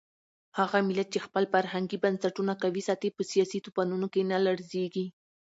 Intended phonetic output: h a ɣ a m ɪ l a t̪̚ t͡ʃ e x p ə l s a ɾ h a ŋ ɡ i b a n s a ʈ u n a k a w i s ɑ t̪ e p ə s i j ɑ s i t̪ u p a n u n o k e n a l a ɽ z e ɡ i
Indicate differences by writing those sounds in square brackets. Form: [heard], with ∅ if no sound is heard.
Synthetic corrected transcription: h a ɣ a m ɪ l a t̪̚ t͡ʃ e x p ə l [f] a ɾ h a ŋ ɡ i b a n s a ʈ u n a k a w i s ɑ t̪ e p ə s i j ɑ s i t̪ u p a n u n o k e n a l a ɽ z e ɡ i